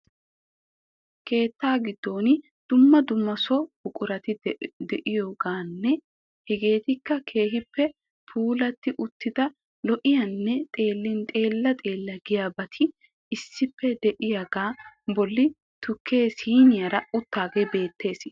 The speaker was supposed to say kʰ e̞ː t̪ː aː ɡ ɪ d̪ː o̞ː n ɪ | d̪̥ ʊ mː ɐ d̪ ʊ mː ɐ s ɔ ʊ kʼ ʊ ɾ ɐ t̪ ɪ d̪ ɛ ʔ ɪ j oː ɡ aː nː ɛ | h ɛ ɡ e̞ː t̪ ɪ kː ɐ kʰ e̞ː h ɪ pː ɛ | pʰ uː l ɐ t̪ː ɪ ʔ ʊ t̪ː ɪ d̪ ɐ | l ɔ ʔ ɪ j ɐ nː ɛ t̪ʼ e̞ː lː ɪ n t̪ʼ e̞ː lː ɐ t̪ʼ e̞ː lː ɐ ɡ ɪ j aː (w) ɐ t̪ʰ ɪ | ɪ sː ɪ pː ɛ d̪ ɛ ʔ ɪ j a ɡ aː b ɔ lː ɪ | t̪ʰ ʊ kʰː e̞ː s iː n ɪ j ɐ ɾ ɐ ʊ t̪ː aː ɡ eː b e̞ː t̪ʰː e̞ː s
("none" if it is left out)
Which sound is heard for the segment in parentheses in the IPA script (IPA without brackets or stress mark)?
b